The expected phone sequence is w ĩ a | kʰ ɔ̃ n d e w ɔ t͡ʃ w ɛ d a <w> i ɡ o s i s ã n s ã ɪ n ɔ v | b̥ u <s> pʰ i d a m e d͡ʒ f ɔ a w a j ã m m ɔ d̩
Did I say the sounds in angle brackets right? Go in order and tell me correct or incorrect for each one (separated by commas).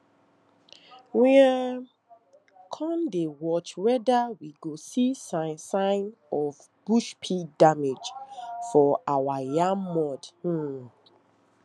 correct, incorrect